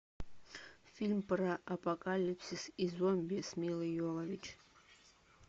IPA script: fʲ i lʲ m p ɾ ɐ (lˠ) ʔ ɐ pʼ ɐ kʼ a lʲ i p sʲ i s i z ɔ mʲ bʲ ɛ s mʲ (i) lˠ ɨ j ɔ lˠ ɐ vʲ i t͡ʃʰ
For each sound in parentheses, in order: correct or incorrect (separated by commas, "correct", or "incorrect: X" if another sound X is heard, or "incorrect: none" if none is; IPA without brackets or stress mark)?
incorrect: none, correct